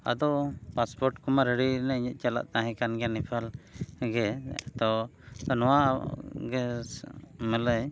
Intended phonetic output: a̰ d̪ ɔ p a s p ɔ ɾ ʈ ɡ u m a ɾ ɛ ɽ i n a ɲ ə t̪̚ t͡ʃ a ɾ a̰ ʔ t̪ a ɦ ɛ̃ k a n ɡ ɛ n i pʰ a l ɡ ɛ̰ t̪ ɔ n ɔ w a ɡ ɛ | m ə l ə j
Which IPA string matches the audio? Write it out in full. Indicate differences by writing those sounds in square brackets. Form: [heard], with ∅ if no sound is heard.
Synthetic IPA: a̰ d̪ ɔ p a s p ɔ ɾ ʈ [k] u m a ɾ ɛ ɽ i n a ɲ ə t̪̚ t͡ʃ a [l] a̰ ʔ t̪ a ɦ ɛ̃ k a n ɡ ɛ n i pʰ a l ɡ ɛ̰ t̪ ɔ n ɔ w a ɡ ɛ | m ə l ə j